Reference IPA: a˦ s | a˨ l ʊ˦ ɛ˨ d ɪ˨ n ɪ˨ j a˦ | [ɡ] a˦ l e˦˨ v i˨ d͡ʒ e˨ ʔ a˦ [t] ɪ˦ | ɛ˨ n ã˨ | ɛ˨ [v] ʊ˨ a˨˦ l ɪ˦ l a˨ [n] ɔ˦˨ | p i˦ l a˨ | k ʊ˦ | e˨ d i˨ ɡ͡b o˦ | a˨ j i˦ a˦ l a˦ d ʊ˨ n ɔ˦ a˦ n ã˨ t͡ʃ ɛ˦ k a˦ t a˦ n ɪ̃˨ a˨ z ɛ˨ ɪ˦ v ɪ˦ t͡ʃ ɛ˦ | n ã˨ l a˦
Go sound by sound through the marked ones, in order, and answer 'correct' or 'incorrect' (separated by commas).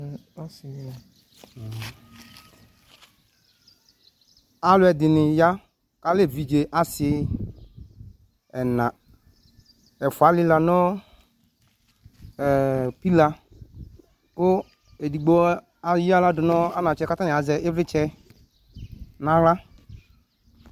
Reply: incorrect, incorrect, incorrect, correct